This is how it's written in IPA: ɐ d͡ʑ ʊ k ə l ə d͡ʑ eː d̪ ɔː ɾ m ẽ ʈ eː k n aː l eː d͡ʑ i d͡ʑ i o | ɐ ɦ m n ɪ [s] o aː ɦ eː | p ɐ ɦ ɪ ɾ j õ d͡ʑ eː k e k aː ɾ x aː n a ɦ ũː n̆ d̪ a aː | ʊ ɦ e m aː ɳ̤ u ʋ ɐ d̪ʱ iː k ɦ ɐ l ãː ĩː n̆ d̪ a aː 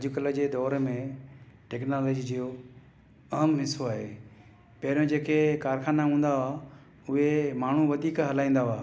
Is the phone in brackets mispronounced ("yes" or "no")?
no